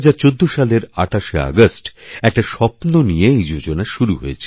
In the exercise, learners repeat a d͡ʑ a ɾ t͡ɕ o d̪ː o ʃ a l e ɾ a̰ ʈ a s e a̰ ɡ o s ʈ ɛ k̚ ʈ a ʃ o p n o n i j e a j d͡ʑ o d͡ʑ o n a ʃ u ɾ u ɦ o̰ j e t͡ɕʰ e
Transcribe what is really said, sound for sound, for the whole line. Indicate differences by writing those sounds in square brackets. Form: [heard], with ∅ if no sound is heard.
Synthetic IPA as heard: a d͡ʑ a ɾ t͡ɕ o d̪ː o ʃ a l e ɾ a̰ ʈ a [ʃ] e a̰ ɡ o s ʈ ɛ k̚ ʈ a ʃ [ɔ] p n o n i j e [e] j d͡ʑ o d͡ʑ o n a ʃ u ɾ u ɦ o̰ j e t͡ɕʰ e